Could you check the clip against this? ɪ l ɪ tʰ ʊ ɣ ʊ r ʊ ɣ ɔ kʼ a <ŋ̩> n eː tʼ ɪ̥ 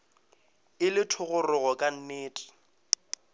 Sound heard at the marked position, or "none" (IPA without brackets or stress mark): n̩